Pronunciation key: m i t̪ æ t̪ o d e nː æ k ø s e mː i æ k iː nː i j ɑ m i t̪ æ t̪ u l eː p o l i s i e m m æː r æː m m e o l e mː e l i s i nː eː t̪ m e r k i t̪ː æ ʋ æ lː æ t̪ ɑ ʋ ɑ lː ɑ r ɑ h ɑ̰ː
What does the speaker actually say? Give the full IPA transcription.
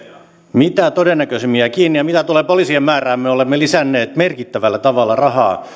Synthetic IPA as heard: m i t̪ æ t̪ o d e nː æ k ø s e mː i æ k iː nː i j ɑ m i t̪ æ t̪ u l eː p o l i s i e m m æː r æː m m e o l e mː e l i s æ nː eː t̪ m e r k i t̪ː æ ʋ æ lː æ t̪ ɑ ʋ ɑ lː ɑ r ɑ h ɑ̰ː